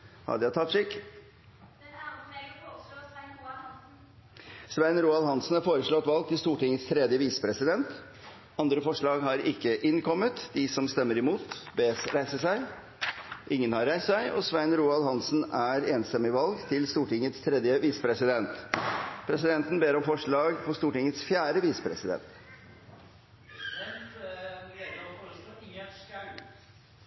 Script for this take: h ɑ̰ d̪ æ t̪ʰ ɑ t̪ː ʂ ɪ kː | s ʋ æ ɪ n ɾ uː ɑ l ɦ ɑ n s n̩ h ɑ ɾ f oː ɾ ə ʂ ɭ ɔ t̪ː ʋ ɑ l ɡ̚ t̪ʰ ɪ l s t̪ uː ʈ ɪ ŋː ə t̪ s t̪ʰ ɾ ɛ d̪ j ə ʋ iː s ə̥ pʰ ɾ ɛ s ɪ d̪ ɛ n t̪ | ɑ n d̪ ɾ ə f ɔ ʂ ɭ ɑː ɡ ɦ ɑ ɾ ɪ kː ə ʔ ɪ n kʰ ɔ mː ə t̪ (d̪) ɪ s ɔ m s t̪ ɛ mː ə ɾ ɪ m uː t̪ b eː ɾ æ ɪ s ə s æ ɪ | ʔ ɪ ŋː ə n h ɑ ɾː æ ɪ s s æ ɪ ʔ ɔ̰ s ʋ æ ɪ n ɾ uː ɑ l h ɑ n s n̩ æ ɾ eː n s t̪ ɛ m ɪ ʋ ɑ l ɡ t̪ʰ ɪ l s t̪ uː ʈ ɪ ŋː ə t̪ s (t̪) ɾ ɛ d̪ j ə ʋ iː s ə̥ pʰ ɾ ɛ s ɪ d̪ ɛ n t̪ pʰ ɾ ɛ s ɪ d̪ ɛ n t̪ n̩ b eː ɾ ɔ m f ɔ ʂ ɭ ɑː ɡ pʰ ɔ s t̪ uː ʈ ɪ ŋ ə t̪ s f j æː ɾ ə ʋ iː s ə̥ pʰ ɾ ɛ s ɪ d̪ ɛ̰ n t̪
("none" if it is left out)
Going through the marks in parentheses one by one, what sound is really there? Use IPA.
d̪, t̪ʰ

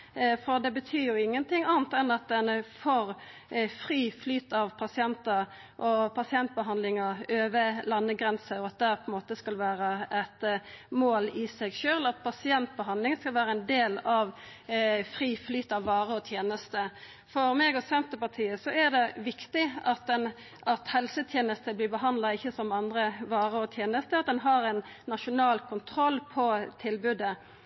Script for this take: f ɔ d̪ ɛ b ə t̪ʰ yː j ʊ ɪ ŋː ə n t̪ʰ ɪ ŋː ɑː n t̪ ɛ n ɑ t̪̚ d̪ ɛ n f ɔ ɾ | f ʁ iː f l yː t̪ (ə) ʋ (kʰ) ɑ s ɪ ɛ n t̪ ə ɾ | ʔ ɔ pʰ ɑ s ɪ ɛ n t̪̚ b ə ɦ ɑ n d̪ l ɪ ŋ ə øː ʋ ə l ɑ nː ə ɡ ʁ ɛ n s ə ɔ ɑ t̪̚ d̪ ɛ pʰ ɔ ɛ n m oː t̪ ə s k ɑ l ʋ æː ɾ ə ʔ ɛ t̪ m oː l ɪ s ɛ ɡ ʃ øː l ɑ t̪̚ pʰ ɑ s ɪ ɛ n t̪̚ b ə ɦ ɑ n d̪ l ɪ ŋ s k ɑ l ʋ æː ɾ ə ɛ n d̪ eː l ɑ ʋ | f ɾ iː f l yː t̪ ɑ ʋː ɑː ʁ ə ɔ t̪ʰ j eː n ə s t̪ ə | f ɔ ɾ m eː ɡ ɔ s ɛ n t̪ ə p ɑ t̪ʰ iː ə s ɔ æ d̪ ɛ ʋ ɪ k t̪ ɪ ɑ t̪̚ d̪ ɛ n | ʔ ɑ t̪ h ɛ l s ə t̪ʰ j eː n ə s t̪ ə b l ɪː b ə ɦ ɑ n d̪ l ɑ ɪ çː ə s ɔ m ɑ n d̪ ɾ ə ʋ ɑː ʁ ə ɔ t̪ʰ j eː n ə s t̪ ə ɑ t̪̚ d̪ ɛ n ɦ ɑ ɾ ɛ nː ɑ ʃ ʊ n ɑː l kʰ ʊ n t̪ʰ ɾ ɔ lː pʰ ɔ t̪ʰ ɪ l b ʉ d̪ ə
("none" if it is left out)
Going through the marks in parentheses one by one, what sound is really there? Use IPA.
ɑ, pʰ

